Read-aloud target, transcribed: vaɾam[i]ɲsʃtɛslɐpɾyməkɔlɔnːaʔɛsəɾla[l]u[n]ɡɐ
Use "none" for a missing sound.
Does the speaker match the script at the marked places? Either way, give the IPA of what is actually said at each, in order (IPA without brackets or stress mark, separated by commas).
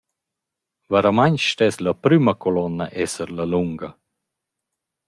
a, l, ŋ